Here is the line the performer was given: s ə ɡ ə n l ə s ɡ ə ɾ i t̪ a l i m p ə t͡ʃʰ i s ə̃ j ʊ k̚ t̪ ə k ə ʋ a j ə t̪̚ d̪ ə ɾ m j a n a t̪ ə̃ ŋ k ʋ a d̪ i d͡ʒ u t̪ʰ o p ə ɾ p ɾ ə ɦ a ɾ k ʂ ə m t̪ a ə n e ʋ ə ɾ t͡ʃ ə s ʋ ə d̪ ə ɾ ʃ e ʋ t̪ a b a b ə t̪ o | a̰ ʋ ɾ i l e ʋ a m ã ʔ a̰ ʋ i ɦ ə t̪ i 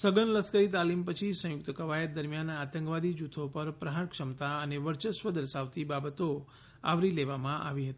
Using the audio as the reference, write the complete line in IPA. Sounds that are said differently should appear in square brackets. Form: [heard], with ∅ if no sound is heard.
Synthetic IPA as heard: s ə ɡ ə n l ə s [k] ə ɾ i t̪ a l i m p ə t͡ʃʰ i s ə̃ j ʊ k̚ t̪ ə k ə ʋ a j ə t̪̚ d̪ ə ɾ m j a n a t̪ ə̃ ŋ k ʋ a d̪ i d͡ʒ u t̪ʰ o p ə ɾ p ɾ ə ɦ a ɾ k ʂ ə m t̪ a ə n e ʋ ə ɾ t͡ʃ ə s ʋ ə d̪ ə ɾ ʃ [a] ʋ t̪ [i] b a b ə t̪ o | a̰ ʋ ɾ i l e ʋ a m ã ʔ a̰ ʋ i ɦ ə t̪ i

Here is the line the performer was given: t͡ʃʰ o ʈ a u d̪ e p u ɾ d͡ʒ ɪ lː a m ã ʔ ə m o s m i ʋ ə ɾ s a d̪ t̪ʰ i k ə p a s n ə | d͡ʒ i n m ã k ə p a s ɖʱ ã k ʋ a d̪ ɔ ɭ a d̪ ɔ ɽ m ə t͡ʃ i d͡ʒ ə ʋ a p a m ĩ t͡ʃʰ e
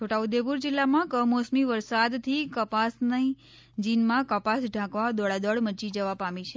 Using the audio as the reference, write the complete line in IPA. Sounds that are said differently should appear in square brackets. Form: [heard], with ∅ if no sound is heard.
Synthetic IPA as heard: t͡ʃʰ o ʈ a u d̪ e p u ɾ d͡ʒ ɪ lː a m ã [k] ə m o s m i ʋ ə ɾ s a d̪ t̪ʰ i k ə p a s n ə | d͡ʒ i n m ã k ə p a s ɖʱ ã k ʋ a d̪ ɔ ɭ a d̪ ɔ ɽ m ə t͡ʃ i d͡ʒ ə ʋ a p a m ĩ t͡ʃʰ e

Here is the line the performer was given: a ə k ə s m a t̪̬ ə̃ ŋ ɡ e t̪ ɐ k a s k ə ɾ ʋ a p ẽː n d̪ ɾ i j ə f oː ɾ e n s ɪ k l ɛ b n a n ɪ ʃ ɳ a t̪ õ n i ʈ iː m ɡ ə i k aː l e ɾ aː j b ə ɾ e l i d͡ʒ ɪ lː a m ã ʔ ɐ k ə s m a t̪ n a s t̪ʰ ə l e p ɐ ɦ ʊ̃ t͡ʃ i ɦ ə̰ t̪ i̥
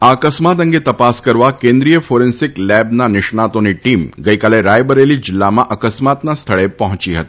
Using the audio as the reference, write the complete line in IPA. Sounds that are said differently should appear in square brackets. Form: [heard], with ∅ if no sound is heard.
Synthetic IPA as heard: a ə k ə s m a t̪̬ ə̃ ŋ ɡ e t̪ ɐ [p] a s k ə ɾ ʋ a [k] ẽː n d̪ ɾ i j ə f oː ɾ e n s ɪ k l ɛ b n a n ɪ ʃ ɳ a t̪ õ n i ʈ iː m ɡ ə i k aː l e ɾ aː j b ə ɾ e l i d͡ʒ ɪ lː a m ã ʔ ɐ k ə s m a t̪ n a s t̪ʰ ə [ɭ] e p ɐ ɦ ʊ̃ t͡ʃ i ɦ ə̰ t̪ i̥

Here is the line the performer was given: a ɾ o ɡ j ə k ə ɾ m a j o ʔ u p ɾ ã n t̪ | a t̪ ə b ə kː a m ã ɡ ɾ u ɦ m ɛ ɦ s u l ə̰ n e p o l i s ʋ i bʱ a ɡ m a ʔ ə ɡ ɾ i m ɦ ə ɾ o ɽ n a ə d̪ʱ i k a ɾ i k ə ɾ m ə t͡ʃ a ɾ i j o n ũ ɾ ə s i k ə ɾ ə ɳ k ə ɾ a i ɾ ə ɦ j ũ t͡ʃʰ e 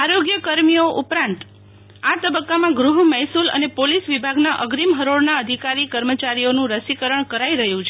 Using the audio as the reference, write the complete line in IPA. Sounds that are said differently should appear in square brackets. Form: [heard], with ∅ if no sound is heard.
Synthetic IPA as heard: a ɾ o ɡ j ə k ə ɾ m [i] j o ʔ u p ɾ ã n t̪ | a t̪ ə b ə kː a m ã ɡ ɾ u ɦ m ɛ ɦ s u l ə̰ n e p o l i s ʋ i bʱ a ɡ [n] a ʔ ə ɡ ɾ i m ɦ ə ɾ o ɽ n a ə d̪ʱ i k a ɾ i k ə ɾ m ə t͡ʃ a ɾ i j o n ũ ɾ ə s i k ə ɾ ə ɳ k ə ɾ a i ɾ ə ɦ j ũ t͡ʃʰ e

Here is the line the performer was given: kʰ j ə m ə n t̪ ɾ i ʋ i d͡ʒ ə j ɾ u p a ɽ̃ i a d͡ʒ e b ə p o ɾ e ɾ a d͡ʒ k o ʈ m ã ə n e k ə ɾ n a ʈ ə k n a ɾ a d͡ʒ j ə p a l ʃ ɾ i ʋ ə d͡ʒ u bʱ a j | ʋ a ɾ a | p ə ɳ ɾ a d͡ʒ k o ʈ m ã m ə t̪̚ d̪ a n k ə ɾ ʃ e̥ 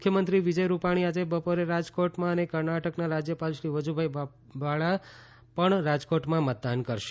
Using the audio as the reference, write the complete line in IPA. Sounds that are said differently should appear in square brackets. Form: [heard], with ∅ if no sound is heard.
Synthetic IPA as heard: kʰ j ə m ə n t̪ ɾ i ʋ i d͡ʒ ə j ɾ u p a ɽ̃ i a d͡ʒ e b ə p o ɾ e ɾ a d͡ʒ k o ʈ m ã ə n e k ə ɾ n a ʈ ə k n a ɾ a d͡ʒ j ə p a l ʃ ɾ i ʋ ə d͡ʒ u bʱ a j | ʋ a [ɭ] a | p ə ɳ ɾ a d͡ʒ k o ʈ m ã m ə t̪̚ d̪ a n k ə ɾ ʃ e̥

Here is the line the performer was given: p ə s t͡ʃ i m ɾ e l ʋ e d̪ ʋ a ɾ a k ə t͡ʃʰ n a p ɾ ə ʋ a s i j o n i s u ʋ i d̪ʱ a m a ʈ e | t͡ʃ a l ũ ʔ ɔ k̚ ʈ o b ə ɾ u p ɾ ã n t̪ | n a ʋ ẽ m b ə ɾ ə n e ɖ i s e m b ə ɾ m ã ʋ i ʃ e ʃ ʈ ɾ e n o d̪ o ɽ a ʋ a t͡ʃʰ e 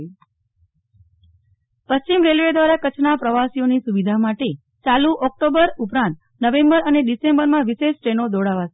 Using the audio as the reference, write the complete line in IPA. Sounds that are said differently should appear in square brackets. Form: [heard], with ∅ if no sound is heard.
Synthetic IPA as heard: p ə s t͡ʃ i m ɾ e l ʋ e d̪ ʋ a ɾ a k ə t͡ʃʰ n a p ɾ ə ʋ a s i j o n i s u ʋ i d̪ʱ a m a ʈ e | t͡ʃ a l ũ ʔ ɔ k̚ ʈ o b ə ɾ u p ɾ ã n t̪ | n [ə] ʋ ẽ m b ə ɾ ə n e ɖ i s e m b ə ɾ m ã ʋ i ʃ e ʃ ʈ ɾ e n o d̪ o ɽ a ʋ a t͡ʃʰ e

